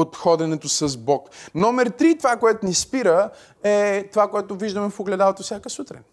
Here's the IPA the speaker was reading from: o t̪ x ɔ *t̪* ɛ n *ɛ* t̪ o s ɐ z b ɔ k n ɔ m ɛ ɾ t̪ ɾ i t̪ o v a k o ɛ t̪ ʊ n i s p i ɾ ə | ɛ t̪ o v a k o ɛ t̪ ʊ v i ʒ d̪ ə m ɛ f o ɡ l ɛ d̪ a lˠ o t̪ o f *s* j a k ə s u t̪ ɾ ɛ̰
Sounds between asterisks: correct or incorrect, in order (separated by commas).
incorrect, correct, correct